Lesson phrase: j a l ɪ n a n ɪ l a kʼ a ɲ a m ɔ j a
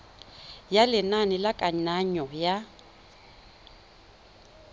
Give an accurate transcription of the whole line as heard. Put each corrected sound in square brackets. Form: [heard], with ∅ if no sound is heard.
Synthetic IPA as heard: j a l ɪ n a n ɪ l a kʼ a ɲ a [ɲ] ɔ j a